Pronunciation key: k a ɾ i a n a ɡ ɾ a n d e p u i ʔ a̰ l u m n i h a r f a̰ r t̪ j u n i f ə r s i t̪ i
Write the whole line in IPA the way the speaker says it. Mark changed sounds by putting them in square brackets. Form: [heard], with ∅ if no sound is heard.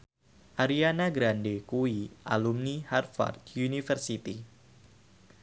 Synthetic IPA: [ʔ] a ɾ i a n a ɡ ɾ a n d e [k] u i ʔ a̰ l u m n i h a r f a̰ r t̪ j u n i f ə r s i t̪ i